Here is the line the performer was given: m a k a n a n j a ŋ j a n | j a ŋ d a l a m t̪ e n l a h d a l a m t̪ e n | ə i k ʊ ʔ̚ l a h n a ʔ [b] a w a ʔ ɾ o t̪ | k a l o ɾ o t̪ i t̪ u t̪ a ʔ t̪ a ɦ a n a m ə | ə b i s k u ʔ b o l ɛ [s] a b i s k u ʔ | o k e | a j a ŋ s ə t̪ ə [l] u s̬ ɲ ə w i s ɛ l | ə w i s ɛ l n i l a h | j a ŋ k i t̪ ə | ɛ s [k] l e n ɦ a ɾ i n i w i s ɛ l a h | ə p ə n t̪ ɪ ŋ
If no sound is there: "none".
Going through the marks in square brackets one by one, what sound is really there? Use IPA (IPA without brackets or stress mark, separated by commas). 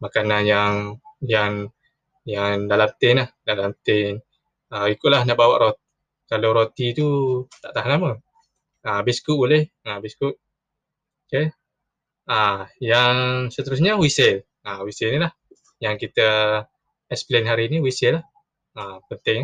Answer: b, h, ɾ, p